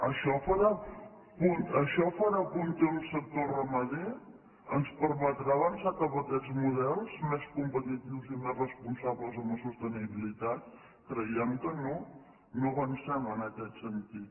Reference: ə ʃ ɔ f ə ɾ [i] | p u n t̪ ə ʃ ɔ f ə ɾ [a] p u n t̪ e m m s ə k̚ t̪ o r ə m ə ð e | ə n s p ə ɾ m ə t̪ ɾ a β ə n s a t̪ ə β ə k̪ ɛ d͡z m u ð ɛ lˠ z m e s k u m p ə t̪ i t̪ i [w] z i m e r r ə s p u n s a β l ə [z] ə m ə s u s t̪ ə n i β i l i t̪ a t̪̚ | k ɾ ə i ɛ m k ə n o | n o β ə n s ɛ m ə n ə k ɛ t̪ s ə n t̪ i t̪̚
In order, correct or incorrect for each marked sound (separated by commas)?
incorrect, correct, correct, correct